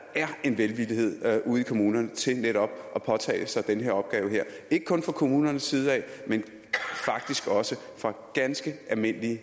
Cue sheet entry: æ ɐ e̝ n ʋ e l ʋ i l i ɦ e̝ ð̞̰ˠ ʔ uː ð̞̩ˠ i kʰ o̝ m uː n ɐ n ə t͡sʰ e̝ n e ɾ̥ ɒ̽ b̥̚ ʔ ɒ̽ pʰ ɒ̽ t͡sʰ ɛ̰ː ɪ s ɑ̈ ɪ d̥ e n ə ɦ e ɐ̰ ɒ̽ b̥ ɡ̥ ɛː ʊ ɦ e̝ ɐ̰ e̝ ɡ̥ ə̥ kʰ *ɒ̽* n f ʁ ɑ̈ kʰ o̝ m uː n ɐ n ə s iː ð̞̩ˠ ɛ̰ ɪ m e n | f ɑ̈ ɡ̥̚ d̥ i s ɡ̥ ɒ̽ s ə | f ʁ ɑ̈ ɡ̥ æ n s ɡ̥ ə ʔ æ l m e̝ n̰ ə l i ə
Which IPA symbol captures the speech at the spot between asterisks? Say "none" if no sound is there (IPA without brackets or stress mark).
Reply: ɔ̽